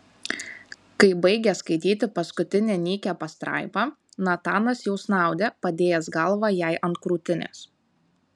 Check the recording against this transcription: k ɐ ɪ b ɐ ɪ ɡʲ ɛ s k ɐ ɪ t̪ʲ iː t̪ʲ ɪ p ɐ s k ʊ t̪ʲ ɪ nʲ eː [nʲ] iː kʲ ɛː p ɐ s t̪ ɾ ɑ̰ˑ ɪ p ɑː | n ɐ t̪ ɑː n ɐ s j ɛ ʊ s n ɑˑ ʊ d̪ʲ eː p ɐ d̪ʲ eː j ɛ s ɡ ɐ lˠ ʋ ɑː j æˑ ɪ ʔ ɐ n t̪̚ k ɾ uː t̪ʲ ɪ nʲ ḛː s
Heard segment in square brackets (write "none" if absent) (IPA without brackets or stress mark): nʲ